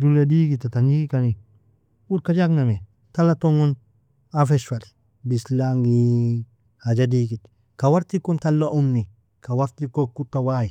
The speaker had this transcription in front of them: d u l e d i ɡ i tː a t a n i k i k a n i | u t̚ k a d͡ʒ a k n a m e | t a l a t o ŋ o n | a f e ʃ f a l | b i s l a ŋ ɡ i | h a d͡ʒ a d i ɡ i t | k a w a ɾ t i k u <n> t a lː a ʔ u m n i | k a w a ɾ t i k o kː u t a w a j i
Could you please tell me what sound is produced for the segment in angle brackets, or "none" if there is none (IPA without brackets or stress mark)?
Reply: n